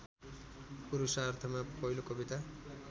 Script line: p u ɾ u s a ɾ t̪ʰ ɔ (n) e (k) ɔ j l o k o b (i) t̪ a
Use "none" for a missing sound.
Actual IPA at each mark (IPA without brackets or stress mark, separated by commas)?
m, p, i